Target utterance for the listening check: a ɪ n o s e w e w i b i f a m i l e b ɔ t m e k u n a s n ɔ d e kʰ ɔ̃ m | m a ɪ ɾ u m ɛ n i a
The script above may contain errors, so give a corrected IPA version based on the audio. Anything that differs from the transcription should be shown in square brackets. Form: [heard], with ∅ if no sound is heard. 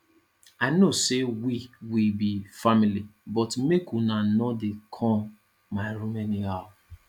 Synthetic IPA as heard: a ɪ n o s e w [i] w i b i f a m i l [i] b ɔ t m e k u n a [∅] n ɔ d e kʰ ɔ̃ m | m a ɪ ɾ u m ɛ n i a